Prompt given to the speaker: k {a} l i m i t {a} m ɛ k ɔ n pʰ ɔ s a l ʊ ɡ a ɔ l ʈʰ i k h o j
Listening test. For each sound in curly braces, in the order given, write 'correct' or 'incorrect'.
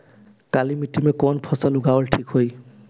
correct, incorrect: i

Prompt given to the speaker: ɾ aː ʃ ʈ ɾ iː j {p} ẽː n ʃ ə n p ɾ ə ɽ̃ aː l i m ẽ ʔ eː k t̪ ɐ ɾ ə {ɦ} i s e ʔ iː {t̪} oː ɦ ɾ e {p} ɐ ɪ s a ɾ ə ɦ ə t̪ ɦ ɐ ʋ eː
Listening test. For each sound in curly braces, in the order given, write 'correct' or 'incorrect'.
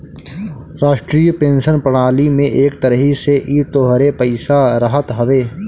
correct, correct, correct, correct

